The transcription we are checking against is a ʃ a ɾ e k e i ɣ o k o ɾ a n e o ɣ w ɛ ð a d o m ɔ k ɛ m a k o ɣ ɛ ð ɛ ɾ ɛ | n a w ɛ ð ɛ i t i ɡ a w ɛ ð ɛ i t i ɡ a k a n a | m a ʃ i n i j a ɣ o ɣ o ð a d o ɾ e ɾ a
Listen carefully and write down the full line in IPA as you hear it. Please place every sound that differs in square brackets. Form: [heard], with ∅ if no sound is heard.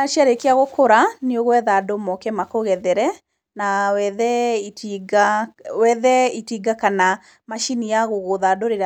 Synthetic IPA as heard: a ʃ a ɾ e k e [a] ɣ o k o ɾ a n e o ɣ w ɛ ð a d o m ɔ k ɛ m a k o ɣ ɛ ð ɛ ɾ ɛ | n a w ɛ ð ɛ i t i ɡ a w ɛ ð ɛ i t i ɡ a k a n a | m a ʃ i n i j a ɣ o ɣ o ð a d o ɾ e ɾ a